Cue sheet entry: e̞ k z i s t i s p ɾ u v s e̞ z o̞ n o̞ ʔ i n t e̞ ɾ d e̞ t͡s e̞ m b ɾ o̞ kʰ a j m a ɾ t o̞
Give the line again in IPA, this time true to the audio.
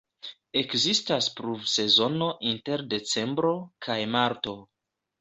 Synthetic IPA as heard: e̞ k z i s t a s p ɾ u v s e̞ z o̞ n o̞ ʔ i n t e̞ ɾ d e̞ t͡s e̞ m b ɾ o̞ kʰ a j m a ɾ t o̞